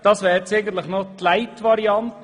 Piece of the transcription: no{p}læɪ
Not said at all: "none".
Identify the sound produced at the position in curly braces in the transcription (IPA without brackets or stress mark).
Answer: t